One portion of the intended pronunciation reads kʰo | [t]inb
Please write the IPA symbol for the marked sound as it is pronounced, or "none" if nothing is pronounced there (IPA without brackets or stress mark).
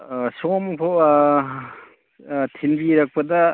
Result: tʰ